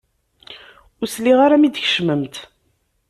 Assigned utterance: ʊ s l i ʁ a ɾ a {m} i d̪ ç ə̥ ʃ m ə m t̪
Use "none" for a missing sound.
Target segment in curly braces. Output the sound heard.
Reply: m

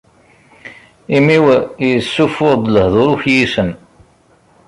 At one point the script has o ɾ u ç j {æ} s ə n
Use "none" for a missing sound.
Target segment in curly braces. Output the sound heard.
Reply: i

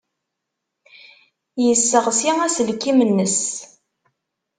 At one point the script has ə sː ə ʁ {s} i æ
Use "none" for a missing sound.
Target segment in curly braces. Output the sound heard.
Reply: s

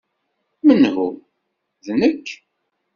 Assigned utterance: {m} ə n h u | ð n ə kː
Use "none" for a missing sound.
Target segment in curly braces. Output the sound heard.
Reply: m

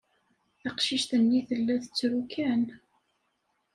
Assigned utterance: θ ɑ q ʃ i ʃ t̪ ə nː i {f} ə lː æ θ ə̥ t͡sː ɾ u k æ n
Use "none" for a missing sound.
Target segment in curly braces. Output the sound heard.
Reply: θ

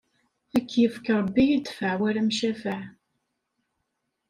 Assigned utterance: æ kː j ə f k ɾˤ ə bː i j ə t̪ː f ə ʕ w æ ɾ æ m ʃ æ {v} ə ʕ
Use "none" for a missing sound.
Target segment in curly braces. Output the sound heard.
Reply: f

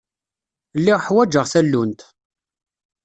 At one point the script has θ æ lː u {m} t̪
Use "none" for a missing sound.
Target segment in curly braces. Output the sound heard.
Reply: n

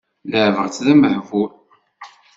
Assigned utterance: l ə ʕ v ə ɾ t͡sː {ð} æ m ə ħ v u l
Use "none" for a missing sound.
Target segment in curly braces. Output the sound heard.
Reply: ð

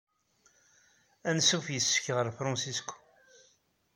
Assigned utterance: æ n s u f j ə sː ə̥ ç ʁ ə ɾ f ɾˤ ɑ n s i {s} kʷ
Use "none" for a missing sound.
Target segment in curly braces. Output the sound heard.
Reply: s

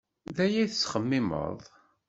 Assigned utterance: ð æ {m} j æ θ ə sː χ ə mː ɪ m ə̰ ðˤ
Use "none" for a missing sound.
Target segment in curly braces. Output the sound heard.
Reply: none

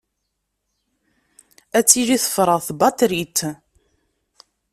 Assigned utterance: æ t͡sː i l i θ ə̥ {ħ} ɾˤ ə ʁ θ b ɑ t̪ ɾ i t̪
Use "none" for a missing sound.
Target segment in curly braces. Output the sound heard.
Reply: f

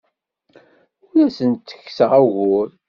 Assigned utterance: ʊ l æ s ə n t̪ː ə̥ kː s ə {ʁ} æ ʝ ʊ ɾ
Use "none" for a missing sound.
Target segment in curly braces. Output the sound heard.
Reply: ʁ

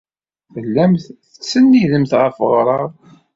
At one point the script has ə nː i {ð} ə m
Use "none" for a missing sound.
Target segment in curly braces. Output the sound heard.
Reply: ð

